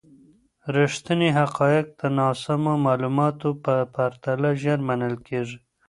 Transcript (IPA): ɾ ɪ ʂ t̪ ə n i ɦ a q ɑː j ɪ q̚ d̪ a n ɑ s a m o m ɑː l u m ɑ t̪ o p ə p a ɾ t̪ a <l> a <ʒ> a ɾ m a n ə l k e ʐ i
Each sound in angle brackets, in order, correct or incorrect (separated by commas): correct, correct